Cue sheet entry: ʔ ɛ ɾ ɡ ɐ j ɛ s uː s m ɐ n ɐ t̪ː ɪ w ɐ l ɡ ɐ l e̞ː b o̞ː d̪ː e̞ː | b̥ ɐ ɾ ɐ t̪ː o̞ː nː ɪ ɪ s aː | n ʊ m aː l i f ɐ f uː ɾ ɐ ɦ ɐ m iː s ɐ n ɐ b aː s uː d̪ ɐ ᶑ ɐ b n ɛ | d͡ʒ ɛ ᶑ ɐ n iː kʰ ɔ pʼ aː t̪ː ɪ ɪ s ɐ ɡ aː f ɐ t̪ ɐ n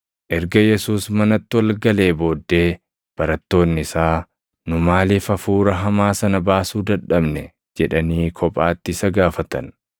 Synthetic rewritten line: ʔ ɛ ɾ ɡ ɐ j ɛ s uː s m ɐ n ɐ t̪ː ɪ w ɐ l ɡ ɐ l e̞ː b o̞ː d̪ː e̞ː | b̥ ɐ ɾ ɐ t̪ː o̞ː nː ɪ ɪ s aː | n ʊ m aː l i f ɐ f uː ɾ ɐ ɦ ɐ m aː s ɐ n ɐ b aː s uː d̪ ɐ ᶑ ɐ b n ɛ | d͡ʒ ɛ ᶑ ɐ n iː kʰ ɔ pʼ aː t̪ː ɪ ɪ s ɐ ɡ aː f ɐ t̪ ɐ n